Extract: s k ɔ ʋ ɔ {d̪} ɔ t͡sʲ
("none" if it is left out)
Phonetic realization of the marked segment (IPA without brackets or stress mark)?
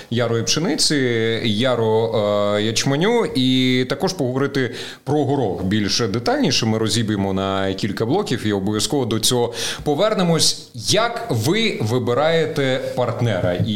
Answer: d̪